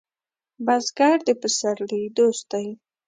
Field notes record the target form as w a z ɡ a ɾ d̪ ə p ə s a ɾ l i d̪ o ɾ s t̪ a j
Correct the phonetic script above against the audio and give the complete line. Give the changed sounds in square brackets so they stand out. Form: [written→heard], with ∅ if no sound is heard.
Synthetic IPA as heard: [w→b] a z ɡ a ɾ d̪ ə p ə s a ɾ l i d̪ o [ɾ→∅] s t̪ a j